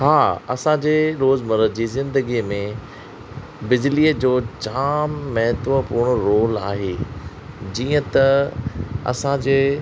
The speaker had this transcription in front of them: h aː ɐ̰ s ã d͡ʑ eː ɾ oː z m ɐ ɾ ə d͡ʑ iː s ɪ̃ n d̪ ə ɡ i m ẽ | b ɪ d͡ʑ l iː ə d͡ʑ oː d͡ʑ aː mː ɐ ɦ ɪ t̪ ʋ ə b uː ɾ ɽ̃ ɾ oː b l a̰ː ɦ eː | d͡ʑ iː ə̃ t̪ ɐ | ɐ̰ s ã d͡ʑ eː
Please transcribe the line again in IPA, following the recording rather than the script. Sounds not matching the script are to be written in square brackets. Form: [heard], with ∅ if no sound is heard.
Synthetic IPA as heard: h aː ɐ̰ s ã d͡ʑ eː ɾ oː z m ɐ ɾ ə d͡ʑ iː [z] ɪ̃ n d̪ ə ɡ i m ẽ | b ɪ d͡ʑ l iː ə d͡ʑ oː d͡ʑ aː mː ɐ ɦ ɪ t̪ ʋ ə [p] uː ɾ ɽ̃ ɾ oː [∅] l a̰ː ɦ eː | d͡ʑ iː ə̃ t̪ ɐ | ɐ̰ s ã d͡ʑ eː

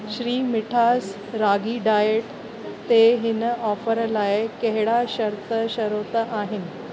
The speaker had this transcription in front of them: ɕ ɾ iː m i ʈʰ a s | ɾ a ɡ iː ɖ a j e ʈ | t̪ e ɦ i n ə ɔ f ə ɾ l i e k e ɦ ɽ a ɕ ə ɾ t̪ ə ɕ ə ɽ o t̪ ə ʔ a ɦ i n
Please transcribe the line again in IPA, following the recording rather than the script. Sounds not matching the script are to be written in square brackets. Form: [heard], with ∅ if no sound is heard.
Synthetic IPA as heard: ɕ ɾ iː m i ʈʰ a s | ɾ a ɡ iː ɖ a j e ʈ | t̪ e ɦ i n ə ɔ f ə ɾ l [a] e k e ɦ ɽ a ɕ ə ɾ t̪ ə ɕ ə [ɾ] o t̪ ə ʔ a ɦ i n

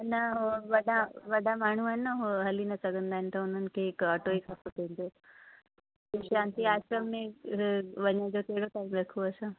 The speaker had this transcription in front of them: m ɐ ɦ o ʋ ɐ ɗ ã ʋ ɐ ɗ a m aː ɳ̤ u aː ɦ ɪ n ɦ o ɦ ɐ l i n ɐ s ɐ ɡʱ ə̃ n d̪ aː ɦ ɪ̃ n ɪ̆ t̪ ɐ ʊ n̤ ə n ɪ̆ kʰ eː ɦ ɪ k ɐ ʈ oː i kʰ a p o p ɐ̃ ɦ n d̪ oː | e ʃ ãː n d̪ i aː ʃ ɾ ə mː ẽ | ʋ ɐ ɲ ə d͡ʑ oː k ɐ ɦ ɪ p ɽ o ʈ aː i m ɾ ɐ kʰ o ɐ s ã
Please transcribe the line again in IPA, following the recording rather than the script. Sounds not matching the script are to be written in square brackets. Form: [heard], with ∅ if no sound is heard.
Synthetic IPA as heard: [n] ɐ ɦ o ʋ ɐ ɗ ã ʋ ɐ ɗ a m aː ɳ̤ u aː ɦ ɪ n ɦ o ɦ ɐ l i n ɐ s ɐ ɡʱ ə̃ n d̪ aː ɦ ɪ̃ n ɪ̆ t̪ ɐ ʊ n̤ ə n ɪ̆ kʰ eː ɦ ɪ k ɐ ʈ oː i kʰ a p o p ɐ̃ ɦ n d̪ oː | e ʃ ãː n [t̪] i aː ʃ ɾ ə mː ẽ | ʋ ɐ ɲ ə d͡ʑ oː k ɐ ɦ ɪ [∅] ɽ o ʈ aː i m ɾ ɐ kʰ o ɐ s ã

